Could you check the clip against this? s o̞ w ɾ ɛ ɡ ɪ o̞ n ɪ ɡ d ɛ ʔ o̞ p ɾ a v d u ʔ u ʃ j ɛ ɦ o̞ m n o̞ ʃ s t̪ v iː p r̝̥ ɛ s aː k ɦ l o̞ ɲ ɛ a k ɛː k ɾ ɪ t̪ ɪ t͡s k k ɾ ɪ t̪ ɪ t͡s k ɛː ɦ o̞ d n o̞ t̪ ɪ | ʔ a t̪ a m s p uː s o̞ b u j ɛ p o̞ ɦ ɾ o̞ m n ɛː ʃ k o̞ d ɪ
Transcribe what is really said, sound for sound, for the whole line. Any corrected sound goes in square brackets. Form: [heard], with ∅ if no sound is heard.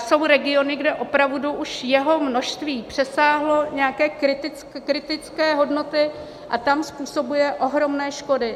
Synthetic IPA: s o̞ w ɾ ɛ ɡ ɪ o̞ n ɪ ɡ d ɛ ʔ o̞ p ɾ a v d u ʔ u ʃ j ɛ ɦ o̞ m n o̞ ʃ s t̪ v iː p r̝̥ ɛ s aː [∅] ɦ l o̞ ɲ ɛ a k ɛː k ɾ ɪ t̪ ɪ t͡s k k ɾ ɪ t̪ ɪ t͡s k ɛː ɦ o̞ d n o̞ t̪ ɪ | ʔ a t̪ a m s p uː s o̞ b u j ɛ [ʔ] o̞ ɦ ɾ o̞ m n ɛː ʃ k o̞ d ɪ